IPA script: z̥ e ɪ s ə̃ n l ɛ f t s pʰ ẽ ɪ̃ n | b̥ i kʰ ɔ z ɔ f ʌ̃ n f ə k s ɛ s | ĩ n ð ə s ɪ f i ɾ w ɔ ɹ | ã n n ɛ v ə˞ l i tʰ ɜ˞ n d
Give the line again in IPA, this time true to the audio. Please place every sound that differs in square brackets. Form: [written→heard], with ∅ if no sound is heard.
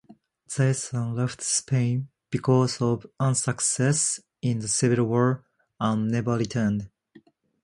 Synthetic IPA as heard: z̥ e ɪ s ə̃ n l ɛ f t s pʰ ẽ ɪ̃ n | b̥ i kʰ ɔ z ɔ [f→v] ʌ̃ n [f→s] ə k s ɛ s | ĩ n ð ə s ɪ [f→v] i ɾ w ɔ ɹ | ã n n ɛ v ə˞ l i tʰ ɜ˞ n d